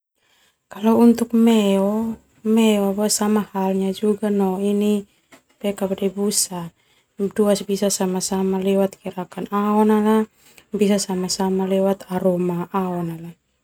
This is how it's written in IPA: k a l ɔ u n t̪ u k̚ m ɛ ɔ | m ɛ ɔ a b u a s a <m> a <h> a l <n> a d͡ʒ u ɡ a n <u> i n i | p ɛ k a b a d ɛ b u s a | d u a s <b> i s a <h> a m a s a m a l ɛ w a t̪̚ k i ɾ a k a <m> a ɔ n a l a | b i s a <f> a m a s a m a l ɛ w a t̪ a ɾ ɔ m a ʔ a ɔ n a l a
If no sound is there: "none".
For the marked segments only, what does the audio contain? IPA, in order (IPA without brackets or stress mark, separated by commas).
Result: m, h, ɲ, ɔ, b, s, n, s